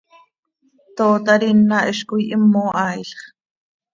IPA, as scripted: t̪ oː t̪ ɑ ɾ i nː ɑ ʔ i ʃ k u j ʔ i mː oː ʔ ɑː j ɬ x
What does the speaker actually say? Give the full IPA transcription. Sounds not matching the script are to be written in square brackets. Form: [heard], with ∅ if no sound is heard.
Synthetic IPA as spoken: t̪ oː t̪ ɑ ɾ i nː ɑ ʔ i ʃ k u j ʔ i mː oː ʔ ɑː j ɬ [χ]